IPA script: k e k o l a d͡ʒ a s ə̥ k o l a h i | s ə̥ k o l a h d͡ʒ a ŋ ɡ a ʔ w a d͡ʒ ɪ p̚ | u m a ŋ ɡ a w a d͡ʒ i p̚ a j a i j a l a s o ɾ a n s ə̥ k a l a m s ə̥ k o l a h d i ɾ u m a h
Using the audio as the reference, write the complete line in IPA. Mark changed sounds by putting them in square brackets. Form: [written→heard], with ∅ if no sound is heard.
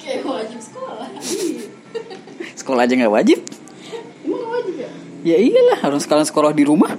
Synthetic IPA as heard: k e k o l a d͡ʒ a s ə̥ k o l a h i | s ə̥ k o l a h d͡ʒ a ŋ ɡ a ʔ w a d͡ʒ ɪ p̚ | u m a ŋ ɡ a w a d͡ʒ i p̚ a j a i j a l a [s→h] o ɾ a [n→ŋ] s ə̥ k a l a [m→ŋ] s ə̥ k o l a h d i ɾ u m a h